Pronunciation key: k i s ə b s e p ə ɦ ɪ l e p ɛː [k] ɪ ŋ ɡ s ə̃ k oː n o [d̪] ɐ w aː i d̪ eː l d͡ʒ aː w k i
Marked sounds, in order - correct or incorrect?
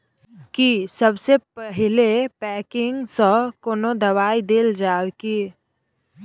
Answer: correct, correct

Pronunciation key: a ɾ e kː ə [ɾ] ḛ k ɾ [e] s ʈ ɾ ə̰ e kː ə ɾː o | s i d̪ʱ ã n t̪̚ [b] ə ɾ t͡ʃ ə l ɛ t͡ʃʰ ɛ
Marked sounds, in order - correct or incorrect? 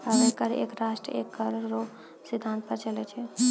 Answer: correct, incorrect, incorrect

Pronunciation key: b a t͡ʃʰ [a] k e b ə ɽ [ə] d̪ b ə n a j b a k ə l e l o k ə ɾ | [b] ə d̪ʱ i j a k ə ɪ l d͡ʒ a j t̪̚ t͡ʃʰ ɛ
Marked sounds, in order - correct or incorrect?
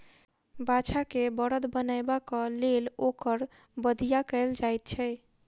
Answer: correct, correct, correct

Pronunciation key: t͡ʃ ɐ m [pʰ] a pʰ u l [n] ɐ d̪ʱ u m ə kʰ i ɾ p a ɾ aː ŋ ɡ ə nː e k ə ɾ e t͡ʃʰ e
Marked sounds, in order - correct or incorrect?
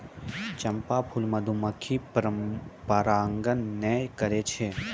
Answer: incorrect, incorrect

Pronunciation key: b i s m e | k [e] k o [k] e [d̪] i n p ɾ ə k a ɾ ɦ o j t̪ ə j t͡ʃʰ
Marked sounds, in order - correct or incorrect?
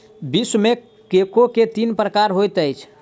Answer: correct, correct, incorrect

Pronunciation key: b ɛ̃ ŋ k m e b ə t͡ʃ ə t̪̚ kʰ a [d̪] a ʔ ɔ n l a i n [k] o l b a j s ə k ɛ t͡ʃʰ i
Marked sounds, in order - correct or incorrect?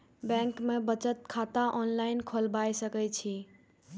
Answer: incorrect, incorrect

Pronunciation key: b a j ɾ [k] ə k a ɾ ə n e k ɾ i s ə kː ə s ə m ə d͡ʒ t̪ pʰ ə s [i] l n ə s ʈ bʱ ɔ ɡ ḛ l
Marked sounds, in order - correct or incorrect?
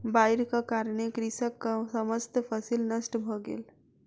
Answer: correct, correct

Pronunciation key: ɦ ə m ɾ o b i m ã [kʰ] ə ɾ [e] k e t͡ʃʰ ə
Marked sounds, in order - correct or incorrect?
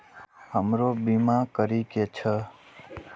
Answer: incorrect, incorrect

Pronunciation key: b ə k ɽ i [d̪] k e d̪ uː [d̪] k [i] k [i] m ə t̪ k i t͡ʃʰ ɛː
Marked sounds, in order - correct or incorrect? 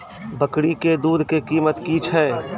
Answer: incorrect, correct, incorrect, incorrect

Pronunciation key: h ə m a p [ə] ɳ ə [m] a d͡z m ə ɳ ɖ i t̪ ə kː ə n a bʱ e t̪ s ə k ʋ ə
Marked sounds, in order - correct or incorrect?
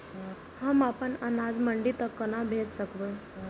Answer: correct, incorrect

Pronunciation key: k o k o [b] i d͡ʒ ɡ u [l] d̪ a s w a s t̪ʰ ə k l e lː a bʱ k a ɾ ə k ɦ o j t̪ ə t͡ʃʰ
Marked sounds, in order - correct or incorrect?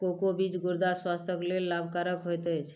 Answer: correct, incorrect

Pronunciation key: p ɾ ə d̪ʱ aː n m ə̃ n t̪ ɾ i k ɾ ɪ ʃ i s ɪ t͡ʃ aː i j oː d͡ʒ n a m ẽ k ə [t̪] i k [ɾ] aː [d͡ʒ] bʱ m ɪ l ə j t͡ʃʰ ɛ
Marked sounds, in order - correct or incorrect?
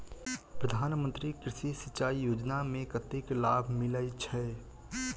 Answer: correct, incorrect, incorrect

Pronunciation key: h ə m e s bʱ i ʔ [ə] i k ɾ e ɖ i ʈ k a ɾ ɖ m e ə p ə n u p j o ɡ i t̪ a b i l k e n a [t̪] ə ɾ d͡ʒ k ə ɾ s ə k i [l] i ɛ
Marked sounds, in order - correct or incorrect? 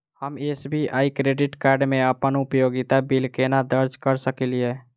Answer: incorrect, incorrect, correct

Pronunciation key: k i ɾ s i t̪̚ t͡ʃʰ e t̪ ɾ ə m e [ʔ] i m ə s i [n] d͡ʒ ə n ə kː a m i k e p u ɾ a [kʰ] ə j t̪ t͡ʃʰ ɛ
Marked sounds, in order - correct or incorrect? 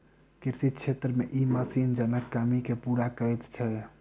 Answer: correct, correct, incorrect

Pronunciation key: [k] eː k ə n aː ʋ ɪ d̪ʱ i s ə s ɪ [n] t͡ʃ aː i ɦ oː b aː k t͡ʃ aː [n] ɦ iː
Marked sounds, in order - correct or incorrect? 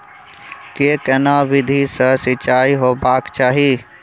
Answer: correct, incorrect, incorrect

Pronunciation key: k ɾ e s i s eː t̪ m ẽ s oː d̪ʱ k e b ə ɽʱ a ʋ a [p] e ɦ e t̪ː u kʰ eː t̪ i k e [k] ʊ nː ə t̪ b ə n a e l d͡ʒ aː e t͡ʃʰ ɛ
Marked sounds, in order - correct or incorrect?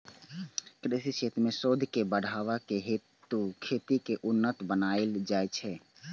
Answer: incorrect, incorrect

